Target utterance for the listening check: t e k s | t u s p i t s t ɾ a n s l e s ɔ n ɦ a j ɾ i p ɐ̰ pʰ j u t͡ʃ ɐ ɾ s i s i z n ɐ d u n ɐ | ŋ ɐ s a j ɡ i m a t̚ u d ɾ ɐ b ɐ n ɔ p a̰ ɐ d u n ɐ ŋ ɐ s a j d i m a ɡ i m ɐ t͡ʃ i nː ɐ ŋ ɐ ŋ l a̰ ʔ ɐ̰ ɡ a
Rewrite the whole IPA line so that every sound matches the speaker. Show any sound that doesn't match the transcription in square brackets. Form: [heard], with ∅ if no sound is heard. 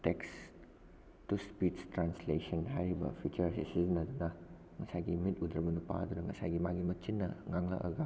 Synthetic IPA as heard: t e k s | t u s p i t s t ɾ a n s l e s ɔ n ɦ a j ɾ i [b] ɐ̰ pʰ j u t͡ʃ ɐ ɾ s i s i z n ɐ d u n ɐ | ŋ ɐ s a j ɡ i m [i] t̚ u d ɾ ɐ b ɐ n [u] p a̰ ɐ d u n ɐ ŋ ɐ s a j [ɡ] i m a ɡ i m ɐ t͡ʃ i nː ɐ ŋ [a] ŋ l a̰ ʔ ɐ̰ ɡ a